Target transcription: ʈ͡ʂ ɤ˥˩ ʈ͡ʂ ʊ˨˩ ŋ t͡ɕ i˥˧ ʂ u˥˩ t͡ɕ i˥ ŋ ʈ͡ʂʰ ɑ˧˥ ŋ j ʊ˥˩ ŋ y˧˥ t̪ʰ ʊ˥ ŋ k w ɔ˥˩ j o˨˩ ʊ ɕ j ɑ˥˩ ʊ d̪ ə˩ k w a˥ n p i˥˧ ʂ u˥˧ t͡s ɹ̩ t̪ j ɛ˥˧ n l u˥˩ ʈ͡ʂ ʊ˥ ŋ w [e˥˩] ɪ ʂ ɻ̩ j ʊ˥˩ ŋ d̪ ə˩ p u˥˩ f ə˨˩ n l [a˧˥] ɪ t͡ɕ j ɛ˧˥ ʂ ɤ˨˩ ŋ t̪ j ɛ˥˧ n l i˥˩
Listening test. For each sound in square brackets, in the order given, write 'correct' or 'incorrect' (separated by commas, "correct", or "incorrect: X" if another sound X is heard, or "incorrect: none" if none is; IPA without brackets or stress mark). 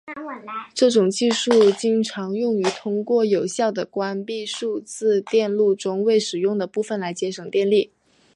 correct, correct